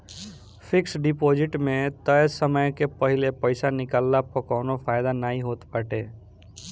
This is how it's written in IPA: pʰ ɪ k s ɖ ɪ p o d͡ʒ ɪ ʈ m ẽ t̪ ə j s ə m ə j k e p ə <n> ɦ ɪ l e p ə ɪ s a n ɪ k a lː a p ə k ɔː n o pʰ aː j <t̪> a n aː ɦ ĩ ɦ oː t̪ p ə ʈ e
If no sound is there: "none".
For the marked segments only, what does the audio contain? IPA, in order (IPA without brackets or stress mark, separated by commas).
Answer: none, d̪